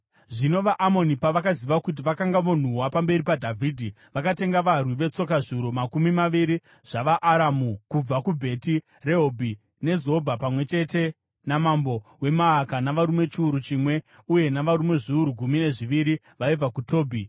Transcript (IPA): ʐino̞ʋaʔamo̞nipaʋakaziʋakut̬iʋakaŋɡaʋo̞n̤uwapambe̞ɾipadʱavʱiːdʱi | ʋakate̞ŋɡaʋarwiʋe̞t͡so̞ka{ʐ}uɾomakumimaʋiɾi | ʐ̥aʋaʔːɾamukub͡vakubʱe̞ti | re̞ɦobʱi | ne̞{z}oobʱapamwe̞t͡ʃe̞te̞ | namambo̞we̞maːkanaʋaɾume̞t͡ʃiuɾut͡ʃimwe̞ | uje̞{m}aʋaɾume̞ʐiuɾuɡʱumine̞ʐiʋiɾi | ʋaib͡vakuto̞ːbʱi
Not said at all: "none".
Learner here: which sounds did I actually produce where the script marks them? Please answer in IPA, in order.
ʐ, z, n

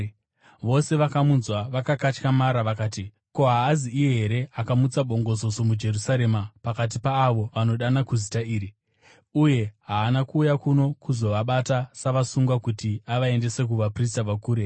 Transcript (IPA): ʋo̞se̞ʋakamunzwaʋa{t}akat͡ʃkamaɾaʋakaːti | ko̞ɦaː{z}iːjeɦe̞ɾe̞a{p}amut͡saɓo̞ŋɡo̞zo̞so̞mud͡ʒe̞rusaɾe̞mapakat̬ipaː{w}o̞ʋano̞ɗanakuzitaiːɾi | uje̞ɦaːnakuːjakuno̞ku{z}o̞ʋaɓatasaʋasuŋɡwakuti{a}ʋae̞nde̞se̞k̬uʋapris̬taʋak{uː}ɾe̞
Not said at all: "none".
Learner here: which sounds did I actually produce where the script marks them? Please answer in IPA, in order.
k, z, k, ʋ, z, a, uː

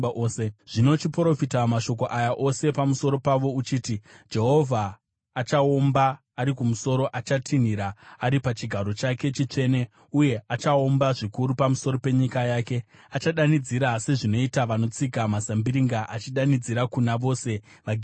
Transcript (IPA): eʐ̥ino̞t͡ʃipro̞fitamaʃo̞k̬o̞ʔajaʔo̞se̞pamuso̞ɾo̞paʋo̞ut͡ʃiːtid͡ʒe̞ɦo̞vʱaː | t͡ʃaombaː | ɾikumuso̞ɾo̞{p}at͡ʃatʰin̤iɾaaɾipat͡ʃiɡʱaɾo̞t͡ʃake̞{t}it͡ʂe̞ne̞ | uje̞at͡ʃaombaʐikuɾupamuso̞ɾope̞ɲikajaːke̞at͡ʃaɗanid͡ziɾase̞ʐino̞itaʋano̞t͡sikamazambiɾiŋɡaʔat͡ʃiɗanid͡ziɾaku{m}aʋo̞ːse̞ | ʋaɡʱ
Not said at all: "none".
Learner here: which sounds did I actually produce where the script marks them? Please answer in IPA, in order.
ʔ, t͡ʃ, n

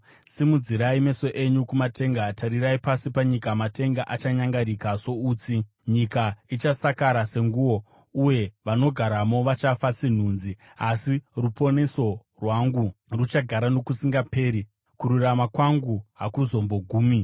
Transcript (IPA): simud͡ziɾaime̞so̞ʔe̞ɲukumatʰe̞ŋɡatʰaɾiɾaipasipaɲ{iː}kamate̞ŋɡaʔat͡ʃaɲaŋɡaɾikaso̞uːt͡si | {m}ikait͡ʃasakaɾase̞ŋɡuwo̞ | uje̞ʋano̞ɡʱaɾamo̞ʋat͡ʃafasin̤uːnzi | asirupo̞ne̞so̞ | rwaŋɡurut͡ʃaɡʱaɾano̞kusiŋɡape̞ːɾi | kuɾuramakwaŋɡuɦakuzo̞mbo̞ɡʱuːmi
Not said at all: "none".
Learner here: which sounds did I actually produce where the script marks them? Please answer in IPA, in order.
i, ɲ

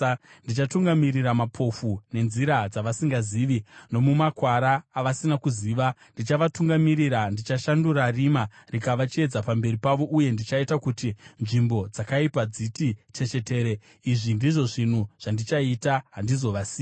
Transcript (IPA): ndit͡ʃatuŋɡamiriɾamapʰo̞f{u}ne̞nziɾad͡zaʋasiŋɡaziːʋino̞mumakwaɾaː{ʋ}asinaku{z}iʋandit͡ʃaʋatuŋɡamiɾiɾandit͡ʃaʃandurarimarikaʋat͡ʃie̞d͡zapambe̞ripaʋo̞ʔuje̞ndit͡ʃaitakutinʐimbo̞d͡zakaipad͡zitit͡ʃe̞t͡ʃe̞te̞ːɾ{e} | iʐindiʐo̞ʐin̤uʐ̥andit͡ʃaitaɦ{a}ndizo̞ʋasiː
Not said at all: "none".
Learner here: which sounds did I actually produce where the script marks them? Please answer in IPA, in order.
u, ʋ, z, e, a

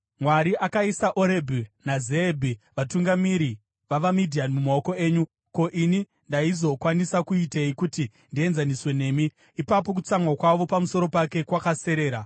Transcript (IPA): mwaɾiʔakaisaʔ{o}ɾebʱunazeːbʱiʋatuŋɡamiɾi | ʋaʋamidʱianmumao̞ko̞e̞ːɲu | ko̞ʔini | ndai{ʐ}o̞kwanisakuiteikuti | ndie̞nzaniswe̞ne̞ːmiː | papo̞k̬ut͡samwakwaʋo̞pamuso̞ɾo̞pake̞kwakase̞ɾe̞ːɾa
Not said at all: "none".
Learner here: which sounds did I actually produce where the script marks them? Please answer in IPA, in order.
o, z

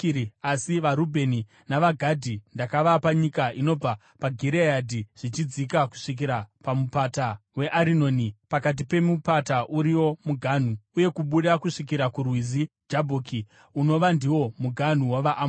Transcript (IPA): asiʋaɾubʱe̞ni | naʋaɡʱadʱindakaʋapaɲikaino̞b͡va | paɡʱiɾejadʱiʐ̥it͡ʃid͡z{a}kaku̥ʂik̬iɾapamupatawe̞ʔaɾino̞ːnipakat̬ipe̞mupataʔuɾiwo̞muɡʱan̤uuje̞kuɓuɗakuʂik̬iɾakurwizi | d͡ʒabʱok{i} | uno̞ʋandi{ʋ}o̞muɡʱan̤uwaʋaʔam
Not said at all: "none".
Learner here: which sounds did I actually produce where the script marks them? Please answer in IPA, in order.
i, i, w

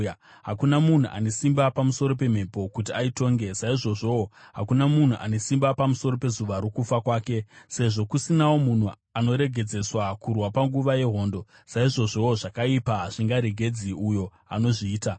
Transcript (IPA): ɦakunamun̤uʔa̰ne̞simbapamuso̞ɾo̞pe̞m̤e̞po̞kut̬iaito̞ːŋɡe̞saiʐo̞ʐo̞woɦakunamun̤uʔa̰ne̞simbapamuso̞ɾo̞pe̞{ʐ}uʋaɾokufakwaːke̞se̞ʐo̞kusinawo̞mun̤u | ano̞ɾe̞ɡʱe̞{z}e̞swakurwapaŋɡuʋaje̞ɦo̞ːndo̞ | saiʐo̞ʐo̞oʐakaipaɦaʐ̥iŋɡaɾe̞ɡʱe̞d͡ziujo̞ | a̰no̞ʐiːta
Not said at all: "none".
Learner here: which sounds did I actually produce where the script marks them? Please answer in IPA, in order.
z, d͡z

